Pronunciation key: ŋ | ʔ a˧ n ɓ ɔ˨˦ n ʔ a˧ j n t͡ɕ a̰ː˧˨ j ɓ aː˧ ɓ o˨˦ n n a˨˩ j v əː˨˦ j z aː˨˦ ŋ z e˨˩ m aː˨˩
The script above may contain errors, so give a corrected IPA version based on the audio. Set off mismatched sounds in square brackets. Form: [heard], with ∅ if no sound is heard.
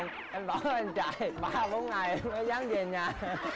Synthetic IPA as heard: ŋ | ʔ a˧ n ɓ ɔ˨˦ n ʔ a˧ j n t͡ɕ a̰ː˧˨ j ɓ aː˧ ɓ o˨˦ n [ŋ] a˨˩ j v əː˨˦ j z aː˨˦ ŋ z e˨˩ [ɲ] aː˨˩